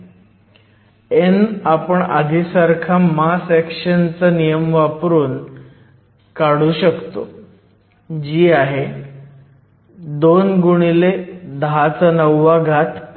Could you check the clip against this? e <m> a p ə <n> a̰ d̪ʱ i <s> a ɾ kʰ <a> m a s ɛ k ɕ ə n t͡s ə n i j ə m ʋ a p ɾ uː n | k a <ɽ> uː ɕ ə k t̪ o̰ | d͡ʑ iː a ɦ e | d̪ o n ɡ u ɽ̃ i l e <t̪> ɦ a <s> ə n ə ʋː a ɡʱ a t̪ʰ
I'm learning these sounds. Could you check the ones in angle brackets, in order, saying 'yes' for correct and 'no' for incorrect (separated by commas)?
no, no, yes, yes, yes, no, no